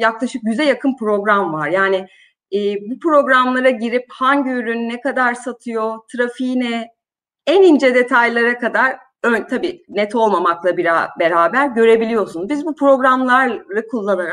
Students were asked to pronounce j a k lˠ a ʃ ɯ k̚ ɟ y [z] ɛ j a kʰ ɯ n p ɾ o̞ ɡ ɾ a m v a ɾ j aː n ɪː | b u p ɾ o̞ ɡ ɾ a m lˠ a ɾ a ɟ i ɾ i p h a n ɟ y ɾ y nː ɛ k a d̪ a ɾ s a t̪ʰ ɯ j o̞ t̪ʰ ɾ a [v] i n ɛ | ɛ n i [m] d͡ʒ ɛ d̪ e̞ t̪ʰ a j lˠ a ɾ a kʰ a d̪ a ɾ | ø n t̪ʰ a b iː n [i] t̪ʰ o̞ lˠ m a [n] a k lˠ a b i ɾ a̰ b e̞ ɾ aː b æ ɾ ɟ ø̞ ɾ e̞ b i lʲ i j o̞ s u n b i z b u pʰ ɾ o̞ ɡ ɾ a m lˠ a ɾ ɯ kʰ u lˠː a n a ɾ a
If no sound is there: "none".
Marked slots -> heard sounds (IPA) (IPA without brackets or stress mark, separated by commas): z, f, n, ɛ, m